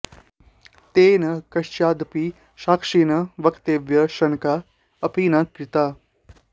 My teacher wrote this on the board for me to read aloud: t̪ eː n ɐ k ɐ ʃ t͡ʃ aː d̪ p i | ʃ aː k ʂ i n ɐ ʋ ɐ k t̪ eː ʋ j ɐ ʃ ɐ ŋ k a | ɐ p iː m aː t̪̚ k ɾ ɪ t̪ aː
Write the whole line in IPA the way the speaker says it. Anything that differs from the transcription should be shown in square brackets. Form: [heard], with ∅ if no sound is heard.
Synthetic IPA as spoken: t̪ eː n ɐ k ɐ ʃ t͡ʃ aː d̪ p i | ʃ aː k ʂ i n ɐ ʋ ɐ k t̪ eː ʋ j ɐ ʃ ɐ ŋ k a | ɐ p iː [n] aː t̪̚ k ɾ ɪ t̪ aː

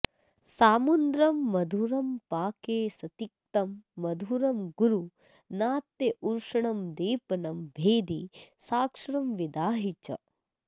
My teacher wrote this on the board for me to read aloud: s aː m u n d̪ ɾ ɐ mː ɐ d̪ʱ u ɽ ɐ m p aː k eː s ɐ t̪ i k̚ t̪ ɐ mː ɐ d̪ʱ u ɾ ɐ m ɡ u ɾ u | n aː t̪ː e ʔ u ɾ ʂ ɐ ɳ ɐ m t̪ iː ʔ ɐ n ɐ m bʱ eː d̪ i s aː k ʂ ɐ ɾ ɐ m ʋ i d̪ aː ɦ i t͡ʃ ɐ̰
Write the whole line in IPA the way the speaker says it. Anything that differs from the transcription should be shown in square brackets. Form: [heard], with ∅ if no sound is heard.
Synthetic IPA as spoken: s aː m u n d̪ ɾ ɐ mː ɐ d̪ʱ u [ɾ] ɐ m p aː k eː s ɐ t̪ i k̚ t̪ ɐ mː ɐ d̪ʱ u ɾ ɐ m ɡ u ɾ u | n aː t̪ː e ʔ u ɾ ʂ ɐ ɳ ɐ m [d̪] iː [p] ɐ n ɐ m bʱ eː d̪ i s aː k ʂ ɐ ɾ ɐ m ʋ i d̪ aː ɦ i t͡ʃ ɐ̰

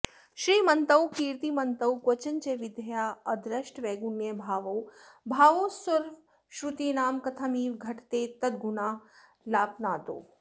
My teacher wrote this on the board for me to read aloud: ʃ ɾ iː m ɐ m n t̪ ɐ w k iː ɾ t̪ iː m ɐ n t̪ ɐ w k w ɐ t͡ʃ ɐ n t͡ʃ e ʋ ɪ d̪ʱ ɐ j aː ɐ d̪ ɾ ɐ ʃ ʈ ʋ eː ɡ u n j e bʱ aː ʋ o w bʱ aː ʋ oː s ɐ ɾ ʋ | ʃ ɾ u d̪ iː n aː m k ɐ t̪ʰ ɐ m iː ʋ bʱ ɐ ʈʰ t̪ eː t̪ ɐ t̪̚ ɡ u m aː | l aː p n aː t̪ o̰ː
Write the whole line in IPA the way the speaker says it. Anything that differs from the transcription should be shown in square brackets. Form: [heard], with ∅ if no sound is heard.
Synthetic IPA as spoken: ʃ ɾ iː m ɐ [∅] n t̪ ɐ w k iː ɾ t̪ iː m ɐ n t̪ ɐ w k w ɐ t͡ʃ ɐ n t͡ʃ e ʋ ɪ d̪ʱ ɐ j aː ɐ d̪ ɾ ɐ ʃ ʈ ʋ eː ɡ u n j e bʱ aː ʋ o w bʱ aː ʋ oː s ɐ ɾ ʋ | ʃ ɾ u [t̪] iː n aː m k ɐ t̪ʰ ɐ m iː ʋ [ɡʱ] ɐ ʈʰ t̪ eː t̪ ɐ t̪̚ ɡ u [n] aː | l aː p n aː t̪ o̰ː

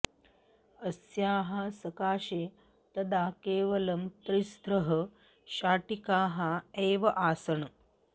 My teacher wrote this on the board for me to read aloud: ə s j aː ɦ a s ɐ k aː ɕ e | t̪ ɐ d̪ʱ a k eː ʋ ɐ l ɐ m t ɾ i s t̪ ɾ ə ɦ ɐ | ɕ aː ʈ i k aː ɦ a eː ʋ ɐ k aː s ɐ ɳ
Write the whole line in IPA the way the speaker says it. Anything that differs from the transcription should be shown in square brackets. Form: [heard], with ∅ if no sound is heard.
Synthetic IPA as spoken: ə s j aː ɦ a s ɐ k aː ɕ e | t̪ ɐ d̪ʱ a k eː ʋ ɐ l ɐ m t ɾ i s t̪ ɾ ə ɦ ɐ | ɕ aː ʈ i k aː ɦ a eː ʋ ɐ [ʔ] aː s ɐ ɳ

